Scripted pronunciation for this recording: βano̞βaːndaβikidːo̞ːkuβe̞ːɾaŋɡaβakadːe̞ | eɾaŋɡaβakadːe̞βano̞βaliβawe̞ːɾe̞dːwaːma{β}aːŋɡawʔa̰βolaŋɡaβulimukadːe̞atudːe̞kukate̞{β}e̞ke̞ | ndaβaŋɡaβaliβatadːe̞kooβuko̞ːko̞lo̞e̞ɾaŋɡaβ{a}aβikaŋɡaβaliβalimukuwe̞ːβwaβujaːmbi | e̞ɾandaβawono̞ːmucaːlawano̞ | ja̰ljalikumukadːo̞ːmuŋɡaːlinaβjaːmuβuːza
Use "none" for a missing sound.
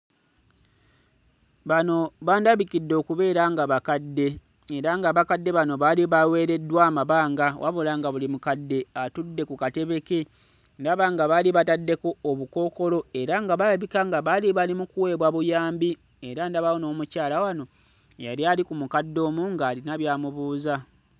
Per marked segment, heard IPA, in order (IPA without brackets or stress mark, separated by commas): β, β, a